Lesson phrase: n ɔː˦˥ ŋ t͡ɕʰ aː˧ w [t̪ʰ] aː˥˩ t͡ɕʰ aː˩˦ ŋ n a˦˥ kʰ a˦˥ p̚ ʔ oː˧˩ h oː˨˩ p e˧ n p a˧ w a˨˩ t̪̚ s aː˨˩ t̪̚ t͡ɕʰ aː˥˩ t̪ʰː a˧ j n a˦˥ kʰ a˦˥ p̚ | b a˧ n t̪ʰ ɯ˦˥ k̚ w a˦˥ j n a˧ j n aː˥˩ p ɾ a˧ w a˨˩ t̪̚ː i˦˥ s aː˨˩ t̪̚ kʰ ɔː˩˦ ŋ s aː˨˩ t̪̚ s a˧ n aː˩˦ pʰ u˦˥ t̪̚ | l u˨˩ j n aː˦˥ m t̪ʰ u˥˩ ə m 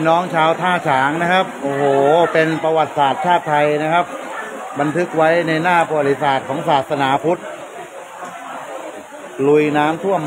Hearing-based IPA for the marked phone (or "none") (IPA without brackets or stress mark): t̪ʰ